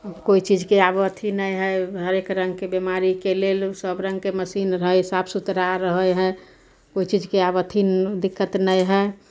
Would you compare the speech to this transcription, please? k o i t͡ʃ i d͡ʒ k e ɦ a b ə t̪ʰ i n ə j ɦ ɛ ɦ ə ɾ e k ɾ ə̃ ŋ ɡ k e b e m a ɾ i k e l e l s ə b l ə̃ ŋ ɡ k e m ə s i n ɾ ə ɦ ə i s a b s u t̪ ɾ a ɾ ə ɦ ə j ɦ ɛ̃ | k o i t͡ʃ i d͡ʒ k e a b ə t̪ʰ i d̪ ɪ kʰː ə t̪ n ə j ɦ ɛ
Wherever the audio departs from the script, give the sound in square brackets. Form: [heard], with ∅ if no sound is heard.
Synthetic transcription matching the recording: k o i t͡ʃ i d͡ʒ k e [∅] a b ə t̪ʰ i n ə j ɦ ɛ ɦ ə ɾ e k ɾ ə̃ ŋ ɡ k e b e m a ɾ i k e l e l s ə b [ɾ] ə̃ ŋ ɡ k e m ə s i n ɾ ə ɦ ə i s a b s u t̪ ɾ a ɾ ə ɦ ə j ɦ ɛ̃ | k o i t͡ʃ i d͡ʒ k e a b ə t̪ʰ i d̪ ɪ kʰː ə t̪ n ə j ɦ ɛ